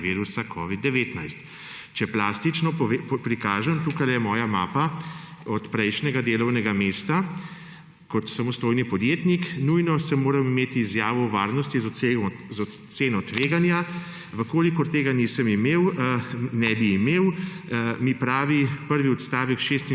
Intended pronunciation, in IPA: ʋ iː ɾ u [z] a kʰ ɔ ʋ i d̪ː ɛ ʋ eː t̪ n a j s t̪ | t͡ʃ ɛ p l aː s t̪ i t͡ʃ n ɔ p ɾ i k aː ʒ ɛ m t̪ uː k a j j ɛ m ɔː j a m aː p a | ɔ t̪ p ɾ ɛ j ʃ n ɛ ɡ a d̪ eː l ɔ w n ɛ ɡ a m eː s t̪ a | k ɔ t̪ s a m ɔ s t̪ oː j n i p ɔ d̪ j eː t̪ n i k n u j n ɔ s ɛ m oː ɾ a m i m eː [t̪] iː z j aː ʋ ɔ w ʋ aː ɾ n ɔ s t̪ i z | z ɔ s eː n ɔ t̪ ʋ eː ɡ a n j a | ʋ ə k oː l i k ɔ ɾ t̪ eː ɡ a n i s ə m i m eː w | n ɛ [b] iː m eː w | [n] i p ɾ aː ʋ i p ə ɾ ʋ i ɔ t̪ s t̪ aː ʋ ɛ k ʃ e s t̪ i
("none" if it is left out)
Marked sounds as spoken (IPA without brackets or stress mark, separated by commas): s, t̪, b, m